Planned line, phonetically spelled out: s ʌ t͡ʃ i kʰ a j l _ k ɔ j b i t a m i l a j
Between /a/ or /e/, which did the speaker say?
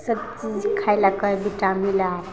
a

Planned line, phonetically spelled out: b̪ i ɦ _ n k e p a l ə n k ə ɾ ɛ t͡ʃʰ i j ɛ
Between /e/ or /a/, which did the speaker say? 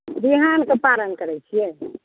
a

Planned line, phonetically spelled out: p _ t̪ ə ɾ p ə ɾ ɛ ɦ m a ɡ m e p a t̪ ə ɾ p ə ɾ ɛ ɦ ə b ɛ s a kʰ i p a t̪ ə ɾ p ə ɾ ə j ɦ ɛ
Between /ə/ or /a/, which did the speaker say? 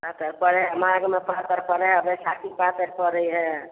a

